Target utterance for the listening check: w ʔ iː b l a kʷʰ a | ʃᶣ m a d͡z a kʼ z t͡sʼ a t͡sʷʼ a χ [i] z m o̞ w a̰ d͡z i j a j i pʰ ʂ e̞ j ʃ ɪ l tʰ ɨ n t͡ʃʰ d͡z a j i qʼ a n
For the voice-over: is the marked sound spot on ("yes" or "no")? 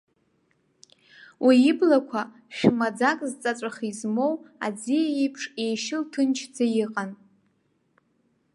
yes